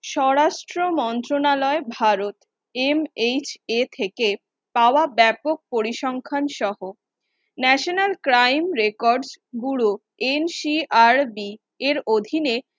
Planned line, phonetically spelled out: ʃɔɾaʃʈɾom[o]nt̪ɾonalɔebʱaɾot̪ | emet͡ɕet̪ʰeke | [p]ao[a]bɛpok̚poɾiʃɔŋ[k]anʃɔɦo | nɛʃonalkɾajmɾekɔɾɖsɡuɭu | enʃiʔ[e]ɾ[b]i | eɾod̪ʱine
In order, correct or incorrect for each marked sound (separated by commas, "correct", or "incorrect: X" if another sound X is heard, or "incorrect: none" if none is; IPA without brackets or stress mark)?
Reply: incorrect: ɔ, correct, correct, incorrect: kʰ, incorrect: a, correct